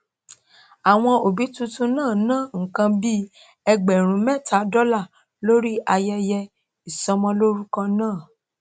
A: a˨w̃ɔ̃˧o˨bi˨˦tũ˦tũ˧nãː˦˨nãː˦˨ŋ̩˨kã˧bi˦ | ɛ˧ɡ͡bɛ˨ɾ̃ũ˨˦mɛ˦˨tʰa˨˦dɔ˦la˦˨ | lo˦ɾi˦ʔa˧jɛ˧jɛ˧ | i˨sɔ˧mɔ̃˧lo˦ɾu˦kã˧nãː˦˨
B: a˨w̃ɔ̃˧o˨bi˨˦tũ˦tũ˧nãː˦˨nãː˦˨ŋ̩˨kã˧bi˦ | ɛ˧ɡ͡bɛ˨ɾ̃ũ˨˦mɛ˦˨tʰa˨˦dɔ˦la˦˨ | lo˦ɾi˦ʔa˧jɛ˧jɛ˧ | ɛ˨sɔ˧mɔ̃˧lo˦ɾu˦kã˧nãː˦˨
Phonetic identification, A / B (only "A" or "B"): A